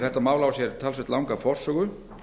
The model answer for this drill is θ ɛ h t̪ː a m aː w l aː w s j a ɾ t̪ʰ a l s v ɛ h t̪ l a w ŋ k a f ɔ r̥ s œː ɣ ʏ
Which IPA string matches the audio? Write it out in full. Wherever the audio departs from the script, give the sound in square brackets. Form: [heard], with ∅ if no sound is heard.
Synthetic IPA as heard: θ ɛ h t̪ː a m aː w l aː w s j [ɛ] ɾ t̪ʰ a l s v ɛ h t̪ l a w ŋ k a f ɔ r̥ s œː ɣ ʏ